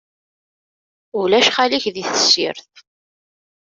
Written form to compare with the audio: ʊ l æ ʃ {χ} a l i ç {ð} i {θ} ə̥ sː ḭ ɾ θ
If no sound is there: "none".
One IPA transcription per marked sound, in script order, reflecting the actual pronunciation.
χ, ð, θ

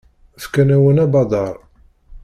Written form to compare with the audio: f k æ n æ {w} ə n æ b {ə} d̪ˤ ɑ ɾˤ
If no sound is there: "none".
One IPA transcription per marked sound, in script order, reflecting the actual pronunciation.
w, ɑ

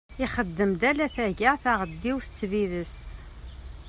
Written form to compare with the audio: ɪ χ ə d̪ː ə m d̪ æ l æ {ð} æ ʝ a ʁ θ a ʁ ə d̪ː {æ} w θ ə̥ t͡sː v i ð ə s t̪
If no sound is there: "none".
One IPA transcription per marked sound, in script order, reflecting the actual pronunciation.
θ, i

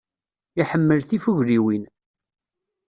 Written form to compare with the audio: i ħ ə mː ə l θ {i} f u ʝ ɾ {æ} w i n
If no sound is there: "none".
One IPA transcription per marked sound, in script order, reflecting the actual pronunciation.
i, i

